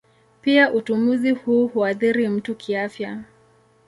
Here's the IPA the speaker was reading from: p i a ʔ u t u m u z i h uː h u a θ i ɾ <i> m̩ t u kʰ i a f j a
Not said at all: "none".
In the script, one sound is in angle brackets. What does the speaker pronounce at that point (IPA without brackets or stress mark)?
i